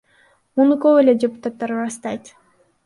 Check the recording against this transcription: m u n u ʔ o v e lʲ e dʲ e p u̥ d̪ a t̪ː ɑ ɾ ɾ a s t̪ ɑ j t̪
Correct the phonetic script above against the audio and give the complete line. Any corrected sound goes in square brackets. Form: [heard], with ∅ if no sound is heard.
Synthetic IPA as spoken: m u n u [k] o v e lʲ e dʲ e p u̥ [t̪] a t̪ː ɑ ɾ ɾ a s t̪ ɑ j t̪